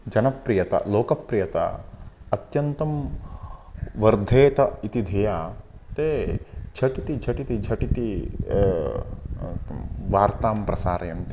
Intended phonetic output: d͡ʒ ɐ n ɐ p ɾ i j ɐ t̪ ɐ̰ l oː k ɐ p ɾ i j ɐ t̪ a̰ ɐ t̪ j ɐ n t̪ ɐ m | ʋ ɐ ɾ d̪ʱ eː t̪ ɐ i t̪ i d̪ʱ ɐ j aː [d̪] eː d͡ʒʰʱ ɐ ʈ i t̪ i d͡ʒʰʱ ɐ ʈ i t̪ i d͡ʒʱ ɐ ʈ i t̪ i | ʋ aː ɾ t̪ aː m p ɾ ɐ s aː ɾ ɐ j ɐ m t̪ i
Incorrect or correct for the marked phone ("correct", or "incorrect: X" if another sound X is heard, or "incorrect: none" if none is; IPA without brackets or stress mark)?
incorrect: t̪